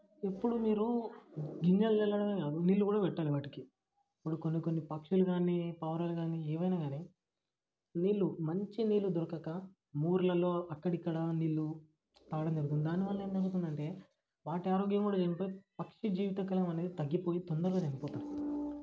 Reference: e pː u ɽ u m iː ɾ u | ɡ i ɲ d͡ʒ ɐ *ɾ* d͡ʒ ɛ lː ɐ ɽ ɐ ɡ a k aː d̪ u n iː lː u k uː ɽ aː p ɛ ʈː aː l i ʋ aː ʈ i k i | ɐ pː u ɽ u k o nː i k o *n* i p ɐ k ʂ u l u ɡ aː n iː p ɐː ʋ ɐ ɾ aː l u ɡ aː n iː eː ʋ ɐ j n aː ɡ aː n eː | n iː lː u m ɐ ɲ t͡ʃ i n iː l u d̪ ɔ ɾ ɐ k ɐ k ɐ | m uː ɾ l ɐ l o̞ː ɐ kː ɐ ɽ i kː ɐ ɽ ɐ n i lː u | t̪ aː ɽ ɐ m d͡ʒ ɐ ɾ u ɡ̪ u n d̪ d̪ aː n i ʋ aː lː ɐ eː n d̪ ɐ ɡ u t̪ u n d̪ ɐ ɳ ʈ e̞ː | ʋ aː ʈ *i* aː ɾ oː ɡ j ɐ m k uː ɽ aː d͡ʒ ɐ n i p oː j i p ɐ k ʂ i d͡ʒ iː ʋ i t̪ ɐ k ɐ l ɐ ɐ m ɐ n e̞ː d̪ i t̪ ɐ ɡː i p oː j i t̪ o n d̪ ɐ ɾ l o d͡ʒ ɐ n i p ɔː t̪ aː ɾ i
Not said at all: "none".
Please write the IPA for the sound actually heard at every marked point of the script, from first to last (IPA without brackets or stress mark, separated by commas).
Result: l, nː, i